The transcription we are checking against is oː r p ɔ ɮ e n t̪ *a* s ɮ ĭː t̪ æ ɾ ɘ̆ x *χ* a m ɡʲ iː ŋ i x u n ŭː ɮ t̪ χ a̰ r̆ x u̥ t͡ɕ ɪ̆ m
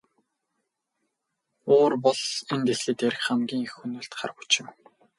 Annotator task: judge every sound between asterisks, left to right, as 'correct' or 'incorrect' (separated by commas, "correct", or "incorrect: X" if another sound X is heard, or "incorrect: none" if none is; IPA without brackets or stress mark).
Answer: incorrect: e, correct